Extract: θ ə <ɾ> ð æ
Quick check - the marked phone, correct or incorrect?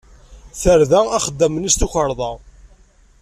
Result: correct